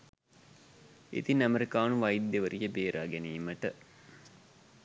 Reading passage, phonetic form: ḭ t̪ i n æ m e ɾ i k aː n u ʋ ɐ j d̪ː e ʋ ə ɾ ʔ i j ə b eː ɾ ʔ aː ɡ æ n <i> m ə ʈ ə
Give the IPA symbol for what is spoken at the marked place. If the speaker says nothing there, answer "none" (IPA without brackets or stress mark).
iː